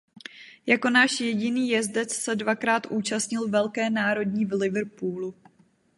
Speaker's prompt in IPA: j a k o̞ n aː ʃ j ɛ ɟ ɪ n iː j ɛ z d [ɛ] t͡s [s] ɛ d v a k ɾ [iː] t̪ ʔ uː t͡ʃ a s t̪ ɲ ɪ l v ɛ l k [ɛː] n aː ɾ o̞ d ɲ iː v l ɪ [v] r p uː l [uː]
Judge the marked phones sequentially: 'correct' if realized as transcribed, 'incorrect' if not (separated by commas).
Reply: correct, correct, incorrect, correct, correct, incorrect